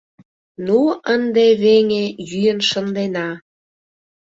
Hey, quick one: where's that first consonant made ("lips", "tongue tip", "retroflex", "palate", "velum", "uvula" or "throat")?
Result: tongue tip